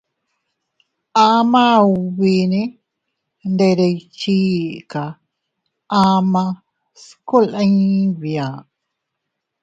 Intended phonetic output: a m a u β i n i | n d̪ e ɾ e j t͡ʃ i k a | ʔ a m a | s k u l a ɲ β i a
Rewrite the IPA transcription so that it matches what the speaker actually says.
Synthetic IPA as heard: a m a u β i n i | n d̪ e ɾ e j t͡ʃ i k a | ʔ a m a | s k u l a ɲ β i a

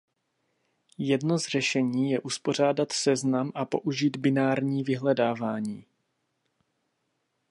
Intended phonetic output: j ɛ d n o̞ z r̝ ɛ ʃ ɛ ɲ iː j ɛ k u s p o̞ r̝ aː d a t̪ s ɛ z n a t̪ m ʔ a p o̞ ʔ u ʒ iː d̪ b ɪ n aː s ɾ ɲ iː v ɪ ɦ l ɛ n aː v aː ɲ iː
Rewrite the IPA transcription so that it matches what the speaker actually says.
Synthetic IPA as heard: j ɛ d n o̞ z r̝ ɛ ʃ ɛ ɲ iː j ɛ ʔ u s p o̞ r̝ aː d a t̪ s ɛ z n a m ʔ a p o̞ ʔ u ʒ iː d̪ b ɪ n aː ɾ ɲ iː v ɪ ɦ l ɛ d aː v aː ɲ iː

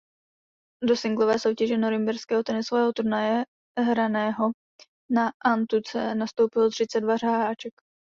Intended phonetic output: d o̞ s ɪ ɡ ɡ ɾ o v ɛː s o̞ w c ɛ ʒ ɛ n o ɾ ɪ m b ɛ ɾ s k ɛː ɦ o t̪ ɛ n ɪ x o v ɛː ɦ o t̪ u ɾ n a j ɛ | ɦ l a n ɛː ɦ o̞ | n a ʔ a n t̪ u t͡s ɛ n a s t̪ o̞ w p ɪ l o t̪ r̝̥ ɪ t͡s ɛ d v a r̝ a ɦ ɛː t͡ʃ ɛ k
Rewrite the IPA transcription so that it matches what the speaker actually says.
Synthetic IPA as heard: d o̞ s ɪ ŋ ɡ l o v ɛː s o̞ w c ɛ ʒ ɛ n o ɾ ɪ m b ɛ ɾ s k ɛː ɦ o t̪ ɛ n ɪ s o v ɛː ɦ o t̪ u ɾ n a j ɛ | ɦ ɾ a n ɛː ɦ o̞ | n a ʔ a n t̪ u t͡s ɛ n a s t̪ o̞ w p ɪ l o t̪ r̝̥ ɪ t͡s ɛ d v a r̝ a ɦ aː t͡ʃ ɛ k

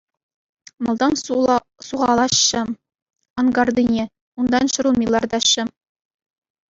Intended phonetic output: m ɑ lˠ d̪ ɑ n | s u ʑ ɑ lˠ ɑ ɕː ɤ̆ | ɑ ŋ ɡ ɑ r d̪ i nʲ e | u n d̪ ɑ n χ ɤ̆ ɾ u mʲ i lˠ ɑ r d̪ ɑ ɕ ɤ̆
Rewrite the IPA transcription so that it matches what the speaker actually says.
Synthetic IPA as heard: m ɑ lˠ d̪ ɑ n | s u ʁ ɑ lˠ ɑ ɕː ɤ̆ | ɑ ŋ ɡ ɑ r d̪ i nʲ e | u n d̪ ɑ n ɕ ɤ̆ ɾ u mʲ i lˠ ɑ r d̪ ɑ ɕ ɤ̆

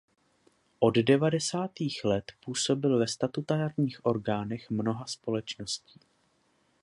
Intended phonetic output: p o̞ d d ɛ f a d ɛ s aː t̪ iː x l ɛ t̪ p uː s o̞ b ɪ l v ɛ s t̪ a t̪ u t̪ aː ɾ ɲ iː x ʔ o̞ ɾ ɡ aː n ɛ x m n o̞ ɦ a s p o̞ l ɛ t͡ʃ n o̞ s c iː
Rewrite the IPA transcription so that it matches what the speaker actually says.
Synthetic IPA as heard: ʔ o̞ d d ɛ v a d ɛ s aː t̪ iː x l ɛ t̪ p uː s o̞ b ɪ l v ɛ s t̪ a t̪ u t̪ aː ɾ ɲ iː x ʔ o̞ ɾ ɡ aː n ɛ x m n o̞ ɦ a s p o̞ l ɛ t͡ʃ n o̞ s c iː

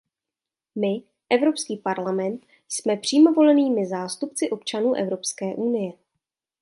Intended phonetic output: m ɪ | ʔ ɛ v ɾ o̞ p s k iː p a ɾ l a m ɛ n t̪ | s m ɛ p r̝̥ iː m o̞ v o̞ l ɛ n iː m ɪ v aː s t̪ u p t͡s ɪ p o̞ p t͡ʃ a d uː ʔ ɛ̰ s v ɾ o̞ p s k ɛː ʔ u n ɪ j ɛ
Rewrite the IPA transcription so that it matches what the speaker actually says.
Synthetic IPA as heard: m ɪ | ʔ ɛ v ɾ o̞ p s k iː p a ɾ l a m ɛ n t̪ | s m ɛ p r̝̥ iː m o̞ v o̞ l ɛ n iː m ɪ z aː s t̪ u p t͡s ɪ ʔ o̞ p t͡ʃ a n uː ʔ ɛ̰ v ɾ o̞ p s k ɛː ʔ u n ɪ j ɛ

